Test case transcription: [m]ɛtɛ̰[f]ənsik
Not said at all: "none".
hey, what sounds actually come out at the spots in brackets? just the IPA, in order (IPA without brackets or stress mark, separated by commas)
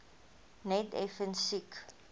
n, f